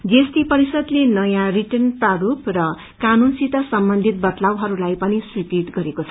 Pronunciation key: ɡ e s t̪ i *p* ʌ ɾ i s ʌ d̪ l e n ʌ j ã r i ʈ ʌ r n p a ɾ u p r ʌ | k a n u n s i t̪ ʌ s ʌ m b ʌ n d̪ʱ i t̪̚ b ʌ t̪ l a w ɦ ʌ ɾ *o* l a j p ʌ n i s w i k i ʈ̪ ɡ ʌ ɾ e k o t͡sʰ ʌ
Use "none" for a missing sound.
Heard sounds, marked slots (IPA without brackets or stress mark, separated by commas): p, u